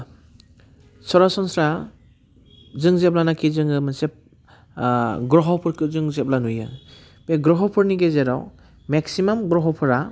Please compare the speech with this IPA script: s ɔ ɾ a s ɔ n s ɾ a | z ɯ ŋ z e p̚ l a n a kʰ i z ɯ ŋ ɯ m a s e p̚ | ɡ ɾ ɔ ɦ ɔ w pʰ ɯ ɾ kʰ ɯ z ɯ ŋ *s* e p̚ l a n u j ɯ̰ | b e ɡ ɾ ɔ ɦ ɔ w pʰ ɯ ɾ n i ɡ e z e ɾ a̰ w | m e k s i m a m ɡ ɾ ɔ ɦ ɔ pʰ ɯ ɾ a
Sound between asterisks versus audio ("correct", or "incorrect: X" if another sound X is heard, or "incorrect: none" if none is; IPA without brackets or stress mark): incorrect: z